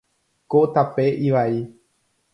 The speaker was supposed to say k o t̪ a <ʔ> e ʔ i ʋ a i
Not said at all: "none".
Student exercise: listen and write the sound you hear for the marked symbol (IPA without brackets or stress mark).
p